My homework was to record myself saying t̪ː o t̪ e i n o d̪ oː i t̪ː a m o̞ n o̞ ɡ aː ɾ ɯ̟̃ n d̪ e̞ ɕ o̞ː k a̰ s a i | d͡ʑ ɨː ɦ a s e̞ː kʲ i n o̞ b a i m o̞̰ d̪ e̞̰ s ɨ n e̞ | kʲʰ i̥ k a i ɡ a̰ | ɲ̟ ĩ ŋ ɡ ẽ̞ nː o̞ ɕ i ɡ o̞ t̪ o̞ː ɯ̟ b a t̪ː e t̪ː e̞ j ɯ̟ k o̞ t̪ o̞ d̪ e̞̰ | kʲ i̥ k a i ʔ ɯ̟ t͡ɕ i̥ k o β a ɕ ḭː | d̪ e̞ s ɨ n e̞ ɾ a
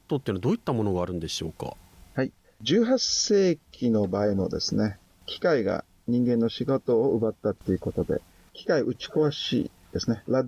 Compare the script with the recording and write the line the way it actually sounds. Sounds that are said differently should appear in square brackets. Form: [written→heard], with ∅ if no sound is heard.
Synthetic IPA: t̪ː o t̪ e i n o d̪ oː i t̪ː a m o̞ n o̞ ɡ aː ɾ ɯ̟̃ n d̪ e̞ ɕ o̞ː k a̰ [s→h] a i | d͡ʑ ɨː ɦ a s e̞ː kʲ i n o̞ b a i m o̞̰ d̪ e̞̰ s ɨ n e̞ | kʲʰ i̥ k a i ɡ a̰ | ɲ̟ ĩ ŋ ɡ ẽ̞ nː o̞ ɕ i ɡ o̞ t̪ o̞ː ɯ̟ b a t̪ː [e→a] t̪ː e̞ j ɯ̟ k o̞ t̪ o̞ d̪ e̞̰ | kʲ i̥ k a i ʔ ɯ̟ t͡ɕ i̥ k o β a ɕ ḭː | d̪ e̞ s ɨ n e̞ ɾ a